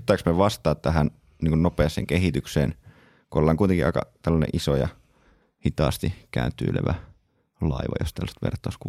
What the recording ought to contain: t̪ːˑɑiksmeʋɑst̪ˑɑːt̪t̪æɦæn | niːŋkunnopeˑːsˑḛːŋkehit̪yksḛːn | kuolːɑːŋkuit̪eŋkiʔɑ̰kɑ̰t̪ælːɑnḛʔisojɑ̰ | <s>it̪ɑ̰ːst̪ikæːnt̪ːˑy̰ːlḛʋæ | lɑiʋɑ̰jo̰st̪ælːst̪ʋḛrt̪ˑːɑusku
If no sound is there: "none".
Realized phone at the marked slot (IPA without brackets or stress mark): h